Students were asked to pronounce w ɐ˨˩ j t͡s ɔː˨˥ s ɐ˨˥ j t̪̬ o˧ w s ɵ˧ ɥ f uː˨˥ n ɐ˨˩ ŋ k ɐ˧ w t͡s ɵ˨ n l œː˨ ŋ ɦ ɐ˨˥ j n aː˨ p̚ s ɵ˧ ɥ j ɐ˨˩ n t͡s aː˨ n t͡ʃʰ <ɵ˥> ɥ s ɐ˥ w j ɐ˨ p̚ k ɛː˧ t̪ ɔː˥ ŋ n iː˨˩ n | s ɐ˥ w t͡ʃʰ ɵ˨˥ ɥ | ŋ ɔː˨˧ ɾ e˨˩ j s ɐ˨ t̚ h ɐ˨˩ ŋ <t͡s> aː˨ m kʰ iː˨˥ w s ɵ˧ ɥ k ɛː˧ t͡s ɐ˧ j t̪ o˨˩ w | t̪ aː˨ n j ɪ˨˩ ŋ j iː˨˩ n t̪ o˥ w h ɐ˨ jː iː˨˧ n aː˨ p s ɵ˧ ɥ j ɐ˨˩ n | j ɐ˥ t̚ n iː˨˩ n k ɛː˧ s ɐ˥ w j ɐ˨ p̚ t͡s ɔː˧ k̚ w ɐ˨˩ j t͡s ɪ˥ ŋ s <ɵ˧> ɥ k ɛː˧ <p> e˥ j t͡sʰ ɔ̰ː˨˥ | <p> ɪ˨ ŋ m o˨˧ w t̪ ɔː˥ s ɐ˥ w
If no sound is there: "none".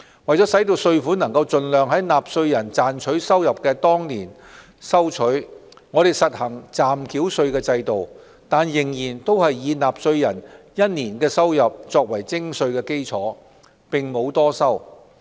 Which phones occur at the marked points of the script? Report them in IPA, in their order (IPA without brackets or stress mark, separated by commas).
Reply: ɵ˨˥, t͡s, ɵ˧, k, p